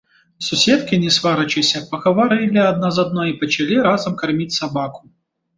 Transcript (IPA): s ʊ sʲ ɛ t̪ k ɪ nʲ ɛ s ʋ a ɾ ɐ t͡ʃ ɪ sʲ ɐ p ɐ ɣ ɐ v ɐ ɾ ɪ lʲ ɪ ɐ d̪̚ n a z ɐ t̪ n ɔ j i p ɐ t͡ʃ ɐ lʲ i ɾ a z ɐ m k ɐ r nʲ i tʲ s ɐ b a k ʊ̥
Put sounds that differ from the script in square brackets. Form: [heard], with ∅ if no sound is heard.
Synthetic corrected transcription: s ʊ sʲ ɛ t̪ k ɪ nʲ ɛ s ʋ a ɾ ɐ t͡ʃ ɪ sʲ ɐ p ɐ ɣ ɐ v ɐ ɾ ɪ lʲ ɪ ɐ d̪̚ n a z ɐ [d̪] n ɔ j i p ɐ t͡ʃ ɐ lʲ i ɾ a z ɐ m k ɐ r [mʲ] i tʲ s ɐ b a k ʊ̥